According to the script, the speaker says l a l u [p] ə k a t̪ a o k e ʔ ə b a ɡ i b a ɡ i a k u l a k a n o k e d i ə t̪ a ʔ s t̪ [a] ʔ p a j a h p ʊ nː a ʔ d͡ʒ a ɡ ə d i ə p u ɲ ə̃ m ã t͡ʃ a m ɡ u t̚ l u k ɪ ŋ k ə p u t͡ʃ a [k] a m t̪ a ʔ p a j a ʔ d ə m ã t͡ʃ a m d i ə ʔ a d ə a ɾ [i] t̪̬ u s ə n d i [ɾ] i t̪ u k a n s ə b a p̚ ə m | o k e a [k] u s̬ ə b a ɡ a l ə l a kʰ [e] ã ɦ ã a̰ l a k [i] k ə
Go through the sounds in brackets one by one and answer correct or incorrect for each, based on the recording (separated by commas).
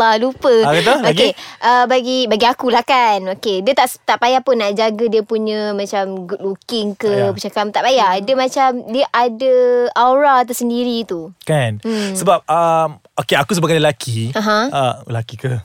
correct, correct, correct, incorrect, correct, correct, incorrect, correct